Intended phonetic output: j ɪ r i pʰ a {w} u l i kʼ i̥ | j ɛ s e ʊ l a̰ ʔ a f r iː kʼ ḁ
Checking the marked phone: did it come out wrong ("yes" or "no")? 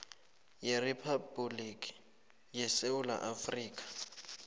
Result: yes